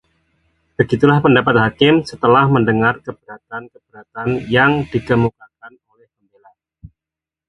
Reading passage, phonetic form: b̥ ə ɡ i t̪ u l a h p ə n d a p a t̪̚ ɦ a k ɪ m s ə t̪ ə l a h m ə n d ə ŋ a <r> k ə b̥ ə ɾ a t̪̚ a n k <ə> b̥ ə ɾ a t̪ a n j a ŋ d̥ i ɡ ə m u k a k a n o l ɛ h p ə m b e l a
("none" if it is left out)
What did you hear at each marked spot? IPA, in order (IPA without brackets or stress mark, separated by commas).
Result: r, ə